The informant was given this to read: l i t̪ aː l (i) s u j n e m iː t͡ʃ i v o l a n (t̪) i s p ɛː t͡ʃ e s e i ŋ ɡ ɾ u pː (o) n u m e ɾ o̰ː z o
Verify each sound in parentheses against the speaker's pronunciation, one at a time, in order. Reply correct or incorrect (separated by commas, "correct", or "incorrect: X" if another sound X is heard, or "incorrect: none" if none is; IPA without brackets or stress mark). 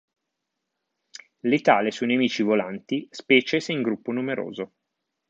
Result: incorrect: e, correct, correct